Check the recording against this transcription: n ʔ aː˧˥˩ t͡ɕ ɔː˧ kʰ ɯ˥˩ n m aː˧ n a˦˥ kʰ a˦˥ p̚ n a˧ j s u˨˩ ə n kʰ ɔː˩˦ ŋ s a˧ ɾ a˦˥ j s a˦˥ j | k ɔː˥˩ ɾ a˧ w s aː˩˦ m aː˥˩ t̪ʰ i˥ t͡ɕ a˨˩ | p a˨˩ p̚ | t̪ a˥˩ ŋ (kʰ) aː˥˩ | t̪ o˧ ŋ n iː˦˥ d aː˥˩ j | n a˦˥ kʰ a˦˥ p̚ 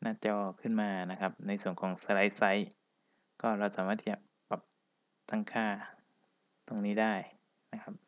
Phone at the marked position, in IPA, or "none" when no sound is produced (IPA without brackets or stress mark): kʰ